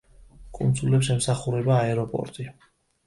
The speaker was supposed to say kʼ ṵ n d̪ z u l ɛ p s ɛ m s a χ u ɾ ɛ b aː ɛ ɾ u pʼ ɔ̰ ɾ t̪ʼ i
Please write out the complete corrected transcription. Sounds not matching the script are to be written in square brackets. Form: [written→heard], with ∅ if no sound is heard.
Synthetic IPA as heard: kʼ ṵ n d̪ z u l ɛ p s ɛ m s a χ u ɾ ɛ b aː ɛ ɾ [u→ɔ] pʼ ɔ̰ ɾ t̪ʼ i